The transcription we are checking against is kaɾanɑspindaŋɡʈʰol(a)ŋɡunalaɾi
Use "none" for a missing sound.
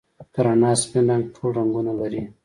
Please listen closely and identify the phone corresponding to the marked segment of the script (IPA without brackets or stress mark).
a